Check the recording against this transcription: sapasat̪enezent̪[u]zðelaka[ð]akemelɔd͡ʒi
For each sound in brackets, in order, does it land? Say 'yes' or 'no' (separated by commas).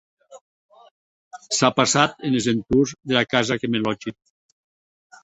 yes, no